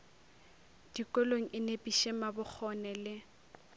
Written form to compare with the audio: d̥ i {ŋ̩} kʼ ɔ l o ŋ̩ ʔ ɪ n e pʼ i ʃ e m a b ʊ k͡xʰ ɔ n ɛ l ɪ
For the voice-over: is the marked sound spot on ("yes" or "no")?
no